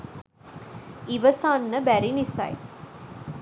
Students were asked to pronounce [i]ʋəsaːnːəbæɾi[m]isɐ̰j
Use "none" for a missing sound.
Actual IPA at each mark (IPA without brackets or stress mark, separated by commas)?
i, n